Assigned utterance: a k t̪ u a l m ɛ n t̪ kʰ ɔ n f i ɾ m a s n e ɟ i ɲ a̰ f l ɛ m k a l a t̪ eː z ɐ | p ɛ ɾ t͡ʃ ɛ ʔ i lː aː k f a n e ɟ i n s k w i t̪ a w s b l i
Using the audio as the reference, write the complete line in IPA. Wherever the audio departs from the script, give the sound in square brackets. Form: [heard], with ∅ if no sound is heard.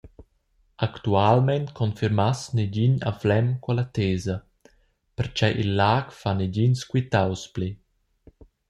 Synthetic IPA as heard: a k t̪ u a l m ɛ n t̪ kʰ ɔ n f i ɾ m a s n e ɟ i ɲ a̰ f l ɛ m k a l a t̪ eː z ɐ | p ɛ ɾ t͡ʃ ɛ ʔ i lː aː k f a n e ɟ i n s k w i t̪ a w s [p] l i